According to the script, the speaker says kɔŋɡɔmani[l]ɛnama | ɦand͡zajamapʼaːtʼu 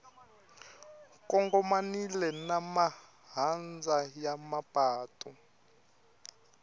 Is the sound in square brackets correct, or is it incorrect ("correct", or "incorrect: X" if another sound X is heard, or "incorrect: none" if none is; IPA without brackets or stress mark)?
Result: correct